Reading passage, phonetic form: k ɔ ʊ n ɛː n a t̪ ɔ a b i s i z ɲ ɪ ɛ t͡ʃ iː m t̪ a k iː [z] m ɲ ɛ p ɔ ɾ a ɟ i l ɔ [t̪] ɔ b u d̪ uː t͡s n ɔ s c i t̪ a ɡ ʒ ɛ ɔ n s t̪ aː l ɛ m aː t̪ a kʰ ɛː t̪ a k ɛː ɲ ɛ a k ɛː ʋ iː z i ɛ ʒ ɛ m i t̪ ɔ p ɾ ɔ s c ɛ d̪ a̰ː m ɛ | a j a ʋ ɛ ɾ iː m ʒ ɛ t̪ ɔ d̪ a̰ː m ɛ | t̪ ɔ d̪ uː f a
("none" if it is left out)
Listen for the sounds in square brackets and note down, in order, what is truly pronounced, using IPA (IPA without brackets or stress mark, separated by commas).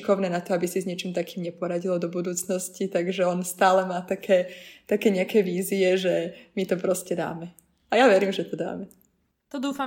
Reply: none, d̪